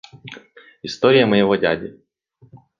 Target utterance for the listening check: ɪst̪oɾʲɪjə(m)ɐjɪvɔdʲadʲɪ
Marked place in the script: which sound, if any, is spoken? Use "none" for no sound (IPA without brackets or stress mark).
m